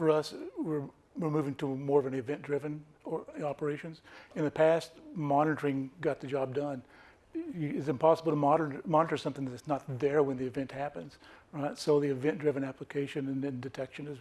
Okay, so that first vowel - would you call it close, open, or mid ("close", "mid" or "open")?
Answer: mid